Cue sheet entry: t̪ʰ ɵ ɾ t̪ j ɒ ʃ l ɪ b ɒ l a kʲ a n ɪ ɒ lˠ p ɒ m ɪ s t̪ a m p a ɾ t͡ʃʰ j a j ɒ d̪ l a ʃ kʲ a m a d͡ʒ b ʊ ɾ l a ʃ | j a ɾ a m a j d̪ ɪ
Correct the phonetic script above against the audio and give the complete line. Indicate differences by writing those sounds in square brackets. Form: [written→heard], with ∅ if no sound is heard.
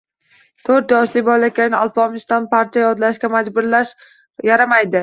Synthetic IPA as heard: t̪ʰ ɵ ɾ t̪ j ɒ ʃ l ɪ b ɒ l a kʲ a n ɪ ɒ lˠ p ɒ m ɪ s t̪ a [m→n] p a ɾ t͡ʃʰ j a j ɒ d̪ l a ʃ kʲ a m a d͡ʒ b ʊ ɾ l a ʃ | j a ɾ a m a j d̪ ɪ